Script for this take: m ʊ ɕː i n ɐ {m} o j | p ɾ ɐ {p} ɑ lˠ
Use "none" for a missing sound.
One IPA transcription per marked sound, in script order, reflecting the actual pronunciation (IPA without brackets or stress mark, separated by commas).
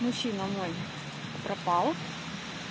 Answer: m, p